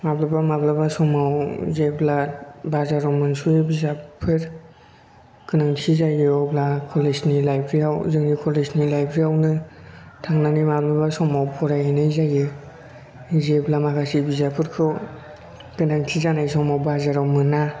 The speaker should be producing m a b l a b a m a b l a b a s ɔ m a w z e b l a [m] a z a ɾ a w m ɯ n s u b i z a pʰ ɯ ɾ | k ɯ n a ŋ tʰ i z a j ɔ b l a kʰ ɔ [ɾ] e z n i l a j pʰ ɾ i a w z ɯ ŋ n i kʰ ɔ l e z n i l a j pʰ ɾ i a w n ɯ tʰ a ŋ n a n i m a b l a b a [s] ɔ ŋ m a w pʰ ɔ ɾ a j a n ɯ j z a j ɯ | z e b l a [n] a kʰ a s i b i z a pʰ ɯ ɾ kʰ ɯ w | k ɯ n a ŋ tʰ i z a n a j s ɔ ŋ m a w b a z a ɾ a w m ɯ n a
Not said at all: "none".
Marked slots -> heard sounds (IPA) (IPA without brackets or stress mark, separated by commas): b, l, s, m